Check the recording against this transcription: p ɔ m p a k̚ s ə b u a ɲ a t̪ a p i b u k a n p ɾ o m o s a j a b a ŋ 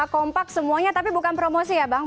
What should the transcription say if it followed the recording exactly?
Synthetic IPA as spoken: k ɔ m p a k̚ s ə m u a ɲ a t̪ a p i b u k a n p ɾ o m o s i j a b a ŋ